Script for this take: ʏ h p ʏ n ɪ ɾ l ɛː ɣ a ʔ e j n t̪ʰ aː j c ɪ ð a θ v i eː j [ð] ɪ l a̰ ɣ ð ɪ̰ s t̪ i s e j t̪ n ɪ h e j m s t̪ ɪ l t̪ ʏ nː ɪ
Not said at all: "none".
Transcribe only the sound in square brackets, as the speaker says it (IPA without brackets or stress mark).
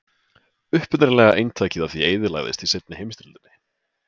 ð